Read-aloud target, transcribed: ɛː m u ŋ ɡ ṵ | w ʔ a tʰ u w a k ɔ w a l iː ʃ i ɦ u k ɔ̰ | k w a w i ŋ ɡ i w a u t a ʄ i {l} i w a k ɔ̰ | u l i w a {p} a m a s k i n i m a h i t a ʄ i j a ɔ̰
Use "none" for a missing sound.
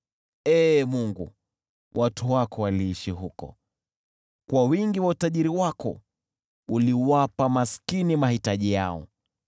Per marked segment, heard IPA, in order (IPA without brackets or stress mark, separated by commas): ɾ, p